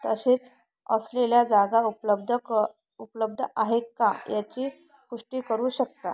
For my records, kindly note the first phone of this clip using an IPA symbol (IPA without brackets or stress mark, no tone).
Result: t̪